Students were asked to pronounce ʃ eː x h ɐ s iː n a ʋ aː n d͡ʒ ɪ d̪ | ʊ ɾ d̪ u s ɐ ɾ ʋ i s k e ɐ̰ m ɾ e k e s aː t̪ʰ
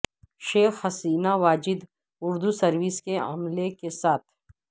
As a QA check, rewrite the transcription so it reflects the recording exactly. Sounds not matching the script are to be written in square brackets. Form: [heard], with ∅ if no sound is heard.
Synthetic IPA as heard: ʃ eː x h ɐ s iː n a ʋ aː [∅] d͡ʒ ɪ d̪ | ʊ ɾ d̪ u s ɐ ɾ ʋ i s k e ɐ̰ m [l] e k e s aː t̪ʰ